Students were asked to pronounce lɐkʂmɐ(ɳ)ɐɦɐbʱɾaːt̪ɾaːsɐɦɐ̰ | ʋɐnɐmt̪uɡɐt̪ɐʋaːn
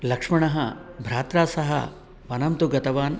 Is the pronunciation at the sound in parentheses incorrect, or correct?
correct